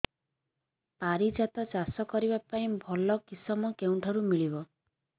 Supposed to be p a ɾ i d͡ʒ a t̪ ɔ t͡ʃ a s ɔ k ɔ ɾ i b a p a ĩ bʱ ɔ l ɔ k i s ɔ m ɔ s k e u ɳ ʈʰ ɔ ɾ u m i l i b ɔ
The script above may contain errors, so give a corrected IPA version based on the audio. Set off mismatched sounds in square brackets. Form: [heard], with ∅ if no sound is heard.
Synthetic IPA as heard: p a ɾ i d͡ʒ a t̪ ɔ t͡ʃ a s ɔ k ɔ ɾ i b a p a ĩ bʱ ɔ l ɔ k i s ɔ m ɔ [∅] k e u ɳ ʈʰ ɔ ɾ u m i [ɭ] i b ɔ